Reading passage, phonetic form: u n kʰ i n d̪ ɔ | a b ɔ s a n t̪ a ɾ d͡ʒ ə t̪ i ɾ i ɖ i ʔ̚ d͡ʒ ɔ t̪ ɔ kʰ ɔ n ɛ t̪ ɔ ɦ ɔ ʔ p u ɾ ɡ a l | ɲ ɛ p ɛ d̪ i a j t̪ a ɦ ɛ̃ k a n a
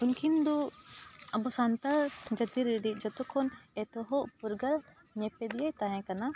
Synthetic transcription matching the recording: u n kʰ i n d̪ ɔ | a b ɔ s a n t̪ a ɾ d͡ʒ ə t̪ i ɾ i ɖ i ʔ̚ d͡ʒ ɔ t̪ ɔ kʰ ɔ n ɛ t̪ ɔ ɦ ɔ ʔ p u ɾ ɡ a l | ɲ ɛ p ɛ d̪ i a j t̪ a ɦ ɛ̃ k a n a